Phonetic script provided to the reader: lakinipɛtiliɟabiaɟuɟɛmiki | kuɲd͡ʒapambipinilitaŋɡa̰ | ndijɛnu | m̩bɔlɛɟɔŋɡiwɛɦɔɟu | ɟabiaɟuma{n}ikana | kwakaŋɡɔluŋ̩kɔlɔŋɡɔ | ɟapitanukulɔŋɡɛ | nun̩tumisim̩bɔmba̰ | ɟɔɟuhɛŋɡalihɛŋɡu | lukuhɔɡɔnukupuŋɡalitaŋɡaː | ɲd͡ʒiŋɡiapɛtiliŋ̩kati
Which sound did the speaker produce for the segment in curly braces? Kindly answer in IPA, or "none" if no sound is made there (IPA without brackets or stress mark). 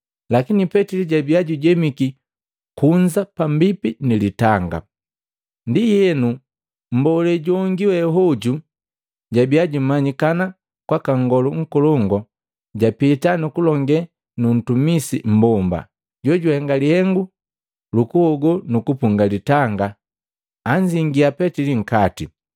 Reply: ɲ